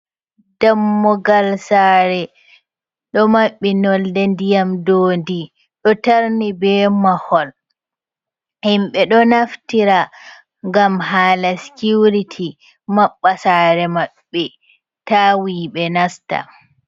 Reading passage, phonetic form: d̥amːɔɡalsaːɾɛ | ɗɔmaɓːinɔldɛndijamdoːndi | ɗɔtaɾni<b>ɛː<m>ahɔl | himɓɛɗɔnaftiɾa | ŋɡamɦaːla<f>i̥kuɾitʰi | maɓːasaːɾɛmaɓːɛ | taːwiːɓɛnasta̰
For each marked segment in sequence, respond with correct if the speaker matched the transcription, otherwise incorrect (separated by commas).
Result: correct, correct, incorrect